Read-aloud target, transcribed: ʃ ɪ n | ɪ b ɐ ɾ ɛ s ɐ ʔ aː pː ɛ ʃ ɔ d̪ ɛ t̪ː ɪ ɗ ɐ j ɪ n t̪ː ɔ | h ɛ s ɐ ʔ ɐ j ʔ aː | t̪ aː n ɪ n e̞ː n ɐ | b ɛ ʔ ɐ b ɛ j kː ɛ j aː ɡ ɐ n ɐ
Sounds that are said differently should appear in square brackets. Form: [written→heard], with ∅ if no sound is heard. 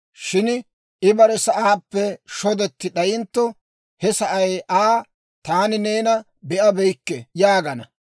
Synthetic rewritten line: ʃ ɪ n | ɪ b ɐ ɾ ɛ s ɐ ʔ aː pː ɛ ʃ ɔ d̪ ɛ t̪ː ɪ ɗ ɐ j ɪ n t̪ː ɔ | h ɛ s ɐ ʔ ɐ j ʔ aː | t̪ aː n ɪ n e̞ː n ɐ | b ɛ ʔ ɐ b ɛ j kː ɛ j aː ɡ ɐ n ɐ

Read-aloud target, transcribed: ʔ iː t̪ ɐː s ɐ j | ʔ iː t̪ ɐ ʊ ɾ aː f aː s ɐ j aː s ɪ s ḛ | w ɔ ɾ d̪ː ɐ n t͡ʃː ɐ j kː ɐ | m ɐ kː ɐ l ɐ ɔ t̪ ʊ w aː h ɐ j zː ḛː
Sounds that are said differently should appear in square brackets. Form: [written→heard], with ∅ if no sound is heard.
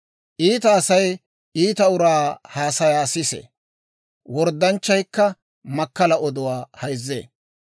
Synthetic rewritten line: ʔ iː t̪ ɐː s ɐ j | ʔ iː t̪ ɐ ʊ ɾ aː [f→h] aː s ɐ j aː s ɪ s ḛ | w ɔ ɾ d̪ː ɐ n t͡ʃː ɐ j kː ɐ | m ɐ kː ɐ l ɐ ɔ [t̪→d̪] ʊ w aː h ɐ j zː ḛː

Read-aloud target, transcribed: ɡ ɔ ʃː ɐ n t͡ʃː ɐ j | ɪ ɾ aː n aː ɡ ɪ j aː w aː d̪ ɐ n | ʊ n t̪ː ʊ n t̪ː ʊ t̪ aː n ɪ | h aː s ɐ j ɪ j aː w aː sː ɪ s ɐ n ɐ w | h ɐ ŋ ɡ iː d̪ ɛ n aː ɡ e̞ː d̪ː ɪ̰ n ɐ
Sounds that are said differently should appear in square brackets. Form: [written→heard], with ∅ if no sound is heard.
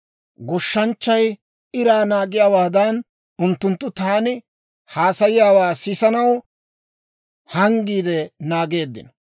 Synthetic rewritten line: ɡ ɔ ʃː ɐ n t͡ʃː ɐ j | ɪ ɾ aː n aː ɡ ɪ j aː w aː d̪ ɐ n | ʊ n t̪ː ʊ n t̪ː ʊ t̪ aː n ɪ | h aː s ɐ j ɪ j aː w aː [sː→s] ɪ s ɐ n ɐ w | h ɐ ŋ ɡ iː d̪ ɛ n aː ɡ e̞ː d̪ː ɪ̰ n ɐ

